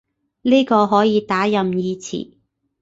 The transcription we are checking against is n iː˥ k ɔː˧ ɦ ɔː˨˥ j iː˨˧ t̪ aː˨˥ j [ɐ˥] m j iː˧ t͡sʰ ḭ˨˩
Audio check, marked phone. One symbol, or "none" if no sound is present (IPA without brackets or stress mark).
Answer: ɐ˨